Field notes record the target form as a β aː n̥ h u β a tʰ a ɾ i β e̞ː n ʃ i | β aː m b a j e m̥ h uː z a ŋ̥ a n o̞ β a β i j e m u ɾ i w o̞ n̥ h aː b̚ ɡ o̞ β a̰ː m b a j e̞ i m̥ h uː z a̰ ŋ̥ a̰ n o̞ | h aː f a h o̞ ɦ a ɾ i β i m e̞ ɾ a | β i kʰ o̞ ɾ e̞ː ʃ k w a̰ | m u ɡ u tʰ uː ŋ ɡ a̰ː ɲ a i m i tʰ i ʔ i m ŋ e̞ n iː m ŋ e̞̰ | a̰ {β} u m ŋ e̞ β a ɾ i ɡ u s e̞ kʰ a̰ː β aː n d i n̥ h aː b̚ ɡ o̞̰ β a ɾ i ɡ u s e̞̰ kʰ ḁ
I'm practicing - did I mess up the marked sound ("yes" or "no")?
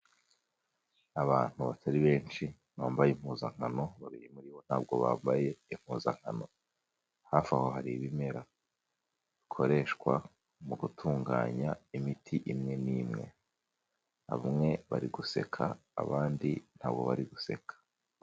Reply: no